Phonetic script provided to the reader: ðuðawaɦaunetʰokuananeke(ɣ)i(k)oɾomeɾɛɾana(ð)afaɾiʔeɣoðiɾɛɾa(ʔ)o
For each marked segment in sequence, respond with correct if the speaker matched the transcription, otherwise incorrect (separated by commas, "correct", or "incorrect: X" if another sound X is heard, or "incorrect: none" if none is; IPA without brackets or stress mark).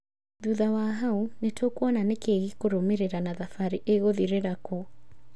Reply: correct, correct, correct, incorrect: k